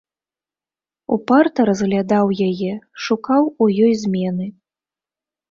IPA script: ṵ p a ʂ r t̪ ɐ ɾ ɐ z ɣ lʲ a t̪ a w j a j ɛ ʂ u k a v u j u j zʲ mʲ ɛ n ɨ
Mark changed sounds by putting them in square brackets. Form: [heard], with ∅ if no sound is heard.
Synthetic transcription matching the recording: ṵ p a [∅] r t̪ ɐ ɾ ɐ z ɣ lʲ a [d̪] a w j a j ɛ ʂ u k a [w] u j [ɔ] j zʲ mʲ ɛ n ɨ